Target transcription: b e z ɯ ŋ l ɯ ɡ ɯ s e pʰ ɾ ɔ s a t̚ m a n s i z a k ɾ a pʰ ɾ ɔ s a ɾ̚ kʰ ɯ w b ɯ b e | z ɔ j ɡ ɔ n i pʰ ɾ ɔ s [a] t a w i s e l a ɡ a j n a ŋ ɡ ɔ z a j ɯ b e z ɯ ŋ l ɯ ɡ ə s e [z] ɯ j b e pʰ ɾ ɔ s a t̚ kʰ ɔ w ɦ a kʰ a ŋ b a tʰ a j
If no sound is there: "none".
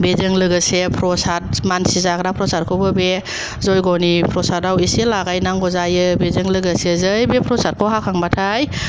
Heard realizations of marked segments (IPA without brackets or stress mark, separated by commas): a, z